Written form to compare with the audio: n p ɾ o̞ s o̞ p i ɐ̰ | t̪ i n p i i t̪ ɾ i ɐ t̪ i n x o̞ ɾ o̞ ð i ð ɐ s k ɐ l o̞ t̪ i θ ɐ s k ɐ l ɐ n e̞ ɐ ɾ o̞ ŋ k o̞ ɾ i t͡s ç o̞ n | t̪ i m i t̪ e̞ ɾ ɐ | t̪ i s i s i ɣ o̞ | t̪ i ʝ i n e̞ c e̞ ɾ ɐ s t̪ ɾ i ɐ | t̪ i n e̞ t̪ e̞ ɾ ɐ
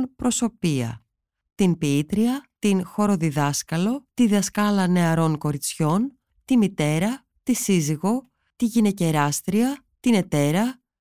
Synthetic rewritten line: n p ɾ o̞ s o̞ p i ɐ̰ | t̪ i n p i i t̪ ɾ i ɐ t̪ i n x o̞ ɾ o̞ ð i ð ɐ s k ɐ l o̞ t̪ i ð ɐ s k ɐ l ɐ n e̞ ɐ ɾ o̞ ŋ k o̞ ɾ i t͡s ç o̞ n | t̪ i m i t̪ e̞ ɾ ɐ | t̪ i s i z i ɣ o̞ | t̪ i ʝ i n e̞ c e̞ ɾ ɐ s t̪ ɾ i ɐ | t̪ i n e̞ t̪ e̞ ɾ ɐ